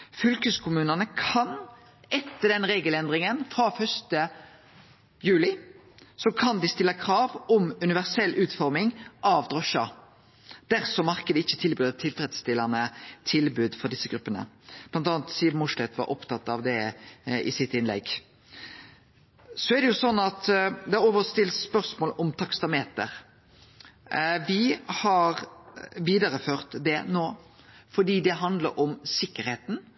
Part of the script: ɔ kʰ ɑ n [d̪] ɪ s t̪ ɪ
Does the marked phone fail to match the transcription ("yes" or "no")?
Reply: no